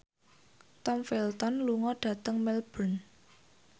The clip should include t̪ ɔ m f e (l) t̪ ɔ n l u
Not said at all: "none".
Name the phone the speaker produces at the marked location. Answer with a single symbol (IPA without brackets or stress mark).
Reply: l